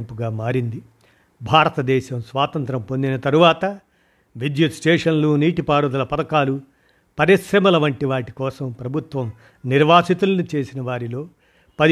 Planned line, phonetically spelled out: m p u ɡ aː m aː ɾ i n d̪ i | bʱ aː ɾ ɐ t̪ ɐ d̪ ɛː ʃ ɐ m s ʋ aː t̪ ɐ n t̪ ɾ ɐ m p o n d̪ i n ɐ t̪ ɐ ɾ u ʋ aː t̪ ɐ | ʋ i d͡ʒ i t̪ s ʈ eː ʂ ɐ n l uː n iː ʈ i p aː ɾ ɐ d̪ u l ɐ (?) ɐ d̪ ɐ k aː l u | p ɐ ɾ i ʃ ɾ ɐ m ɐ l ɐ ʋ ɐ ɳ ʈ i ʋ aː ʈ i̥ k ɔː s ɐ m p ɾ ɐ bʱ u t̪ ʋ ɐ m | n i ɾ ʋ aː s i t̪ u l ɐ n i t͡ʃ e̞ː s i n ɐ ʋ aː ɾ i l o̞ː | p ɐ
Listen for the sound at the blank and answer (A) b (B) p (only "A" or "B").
B